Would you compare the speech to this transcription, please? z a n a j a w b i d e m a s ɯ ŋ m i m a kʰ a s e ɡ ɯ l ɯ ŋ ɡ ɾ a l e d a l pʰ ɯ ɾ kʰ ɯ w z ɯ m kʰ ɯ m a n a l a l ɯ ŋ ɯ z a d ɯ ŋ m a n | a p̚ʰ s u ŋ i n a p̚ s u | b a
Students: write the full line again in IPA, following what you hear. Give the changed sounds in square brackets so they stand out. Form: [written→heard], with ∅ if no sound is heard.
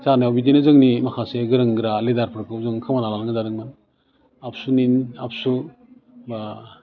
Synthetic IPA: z a n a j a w b i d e [m→n] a [s→z] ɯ ŋ [m→n] i m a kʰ a s e ɡ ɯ [l→ɾ] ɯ ŋ ɡ ɾ a l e d a [l→ɾ] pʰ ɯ ɾ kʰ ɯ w z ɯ [m→ŋ] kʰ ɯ m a n a l a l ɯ ŋ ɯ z a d ɯ ŋ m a n | a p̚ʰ s u [ŋ→n] i n a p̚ s u | b a